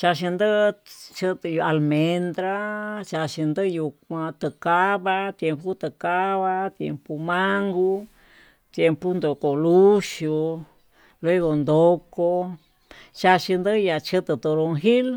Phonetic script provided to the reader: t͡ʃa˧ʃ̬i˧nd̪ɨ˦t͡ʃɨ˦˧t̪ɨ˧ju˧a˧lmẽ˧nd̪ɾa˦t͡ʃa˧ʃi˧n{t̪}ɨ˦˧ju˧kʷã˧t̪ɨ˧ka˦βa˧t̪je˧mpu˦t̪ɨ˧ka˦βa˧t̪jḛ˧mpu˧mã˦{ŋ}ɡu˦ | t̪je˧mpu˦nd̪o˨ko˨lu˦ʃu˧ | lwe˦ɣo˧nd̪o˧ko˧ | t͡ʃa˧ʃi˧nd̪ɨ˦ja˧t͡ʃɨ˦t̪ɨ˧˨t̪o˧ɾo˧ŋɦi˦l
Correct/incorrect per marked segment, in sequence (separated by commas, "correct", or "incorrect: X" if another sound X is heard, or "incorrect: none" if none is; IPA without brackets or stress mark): incorrect: d̪, correct